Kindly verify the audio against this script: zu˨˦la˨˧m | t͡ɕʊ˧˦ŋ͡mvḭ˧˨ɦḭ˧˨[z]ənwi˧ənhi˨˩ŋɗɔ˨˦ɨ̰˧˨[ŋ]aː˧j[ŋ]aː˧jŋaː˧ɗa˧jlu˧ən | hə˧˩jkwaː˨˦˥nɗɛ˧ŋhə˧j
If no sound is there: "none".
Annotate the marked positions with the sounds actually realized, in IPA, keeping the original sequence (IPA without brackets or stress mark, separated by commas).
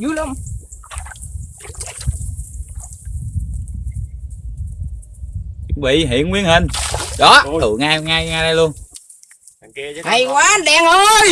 none, ŋ, ŋ